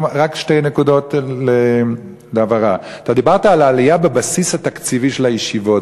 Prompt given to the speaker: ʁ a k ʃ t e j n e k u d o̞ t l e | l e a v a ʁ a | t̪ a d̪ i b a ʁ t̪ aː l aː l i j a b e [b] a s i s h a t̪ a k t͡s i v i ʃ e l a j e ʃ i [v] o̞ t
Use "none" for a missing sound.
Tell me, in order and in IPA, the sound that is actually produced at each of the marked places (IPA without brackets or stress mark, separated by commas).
b, v